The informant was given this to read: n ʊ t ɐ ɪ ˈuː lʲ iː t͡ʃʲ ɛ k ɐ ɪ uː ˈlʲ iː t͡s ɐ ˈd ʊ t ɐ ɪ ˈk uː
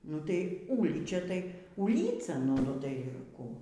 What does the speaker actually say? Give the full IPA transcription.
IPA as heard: n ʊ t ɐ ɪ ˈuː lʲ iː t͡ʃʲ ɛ t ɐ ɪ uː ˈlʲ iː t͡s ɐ ˈn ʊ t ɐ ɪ ˈk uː